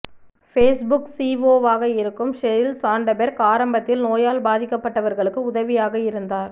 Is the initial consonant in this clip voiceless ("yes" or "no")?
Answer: yes